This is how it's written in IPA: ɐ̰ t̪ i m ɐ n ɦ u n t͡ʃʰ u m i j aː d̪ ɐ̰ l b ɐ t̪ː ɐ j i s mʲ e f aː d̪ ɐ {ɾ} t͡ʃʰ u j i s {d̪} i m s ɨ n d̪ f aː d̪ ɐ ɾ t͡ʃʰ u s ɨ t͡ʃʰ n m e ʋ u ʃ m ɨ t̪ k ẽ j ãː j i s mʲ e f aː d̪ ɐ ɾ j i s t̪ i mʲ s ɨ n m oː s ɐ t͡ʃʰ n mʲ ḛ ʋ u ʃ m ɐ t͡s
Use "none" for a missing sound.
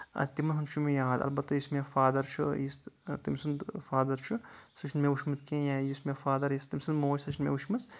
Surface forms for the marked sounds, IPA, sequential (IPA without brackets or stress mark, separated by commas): ɾ, t̪